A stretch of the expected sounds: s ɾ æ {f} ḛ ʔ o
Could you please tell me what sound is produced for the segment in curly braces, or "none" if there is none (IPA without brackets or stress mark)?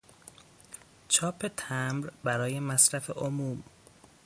f